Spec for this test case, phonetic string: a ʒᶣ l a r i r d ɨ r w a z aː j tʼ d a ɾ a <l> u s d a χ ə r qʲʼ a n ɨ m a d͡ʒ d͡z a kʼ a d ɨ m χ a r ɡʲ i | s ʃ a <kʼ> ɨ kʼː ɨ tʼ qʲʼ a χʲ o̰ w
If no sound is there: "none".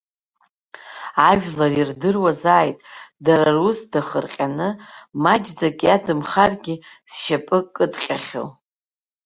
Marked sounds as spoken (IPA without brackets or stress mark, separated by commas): r, pʼ